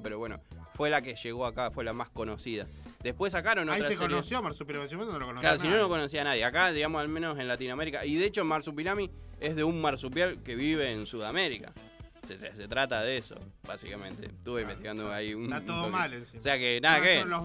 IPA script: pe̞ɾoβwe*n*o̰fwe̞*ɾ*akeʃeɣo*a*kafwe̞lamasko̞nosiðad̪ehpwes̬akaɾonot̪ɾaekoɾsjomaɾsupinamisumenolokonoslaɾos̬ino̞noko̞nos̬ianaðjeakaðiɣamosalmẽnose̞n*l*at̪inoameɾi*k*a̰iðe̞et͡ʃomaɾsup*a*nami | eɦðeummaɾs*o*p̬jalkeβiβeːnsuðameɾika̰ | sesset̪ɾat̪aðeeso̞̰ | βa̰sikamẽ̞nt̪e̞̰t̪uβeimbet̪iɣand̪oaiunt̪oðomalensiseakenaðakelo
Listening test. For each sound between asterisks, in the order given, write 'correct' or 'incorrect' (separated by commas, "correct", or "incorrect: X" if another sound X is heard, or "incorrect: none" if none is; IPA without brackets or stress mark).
correct, incorrect: l, correct, correct, correct, incorrect: i, incorrect: u